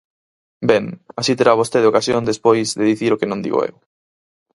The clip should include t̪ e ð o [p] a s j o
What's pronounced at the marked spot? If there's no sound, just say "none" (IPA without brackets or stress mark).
k